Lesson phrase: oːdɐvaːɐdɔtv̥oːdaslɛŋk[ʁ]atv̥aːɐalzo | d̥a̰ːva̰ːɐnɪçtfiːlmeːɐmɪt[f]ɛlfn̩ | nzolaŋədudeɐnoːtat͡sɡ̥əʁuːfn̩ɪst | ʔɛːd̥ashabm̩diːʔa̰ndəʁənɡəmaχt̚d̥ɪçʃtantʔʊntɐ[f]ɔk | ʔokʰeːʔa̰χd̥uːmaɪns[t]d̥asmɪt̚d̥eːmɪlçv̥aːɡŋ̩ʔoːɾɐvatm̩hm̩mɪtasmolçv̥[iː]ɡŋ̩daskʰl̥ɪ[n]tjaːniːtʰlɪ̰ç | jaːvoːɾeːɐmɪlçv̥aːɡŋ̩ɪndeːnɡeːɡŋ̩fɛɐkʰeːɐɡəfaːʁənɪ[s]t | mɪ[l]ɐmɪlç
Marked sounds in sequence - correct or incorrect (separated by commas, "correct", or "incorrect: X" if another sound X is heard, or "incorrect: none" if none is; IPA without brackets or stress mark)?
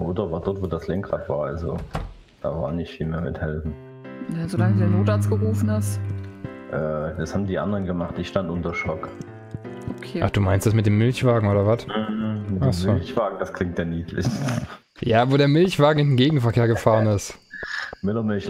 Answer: correct, incorrect: h, incorrect: ʃ, correct, incorrect: aː, incorrect: ŋ, correct, correct